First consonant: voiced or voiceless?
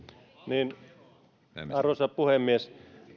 voiced